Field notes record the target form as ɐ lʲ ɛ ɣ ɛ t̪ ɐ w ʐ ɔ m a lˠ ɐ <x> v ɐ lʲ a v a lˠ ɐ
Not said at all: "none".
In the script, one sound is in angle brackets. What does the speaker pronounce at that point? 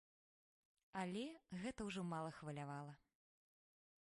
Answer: x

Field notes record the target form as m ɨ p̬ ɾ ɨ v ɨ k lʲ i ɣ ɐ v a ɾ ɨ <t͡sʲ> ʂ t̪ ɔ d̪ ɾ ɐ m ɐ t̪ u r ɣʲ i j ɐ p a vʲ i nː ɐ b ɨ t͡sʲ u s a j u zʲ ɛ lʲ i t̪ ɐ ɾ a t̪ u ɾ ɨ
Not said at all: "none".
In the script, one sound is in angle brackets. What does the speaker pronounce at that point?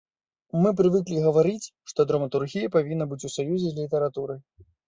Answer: t͡sʲ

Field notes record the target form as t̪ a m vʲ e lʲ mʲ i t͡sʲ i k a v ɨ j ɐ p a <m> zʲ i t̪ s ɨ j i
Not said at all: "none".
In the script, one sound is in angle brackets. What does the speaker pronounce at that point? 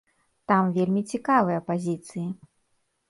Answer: none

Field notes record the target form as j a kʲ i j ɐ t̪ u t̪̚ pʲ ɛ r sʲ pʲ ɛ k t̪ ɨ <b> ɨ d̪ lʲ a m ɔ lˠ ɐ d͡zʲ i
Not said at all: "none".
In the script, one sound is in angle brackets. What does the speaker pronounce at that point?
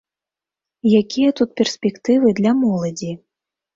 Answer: v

